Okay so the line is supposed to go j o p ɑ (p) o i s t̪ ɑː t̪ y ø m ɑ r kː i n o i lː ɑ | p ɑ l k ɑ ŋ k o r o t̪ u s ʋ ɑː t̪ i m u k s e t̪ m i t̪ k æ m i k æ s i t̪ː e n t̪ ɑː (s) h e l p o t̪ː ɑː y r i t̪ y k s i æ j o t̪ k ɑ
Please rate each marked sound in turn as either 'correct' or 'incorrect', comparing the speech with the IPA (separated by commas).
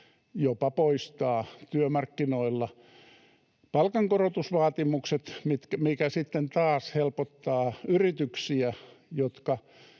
correct, correct